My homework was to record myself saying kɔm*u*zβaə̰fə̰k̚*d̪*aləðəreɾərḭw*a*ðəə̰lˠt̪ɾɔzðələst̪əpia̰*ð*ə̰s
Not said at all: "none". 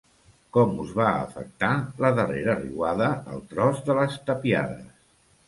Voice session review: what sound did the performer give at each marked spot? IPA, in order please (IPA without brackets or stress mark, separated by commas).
u, t̪, a, ð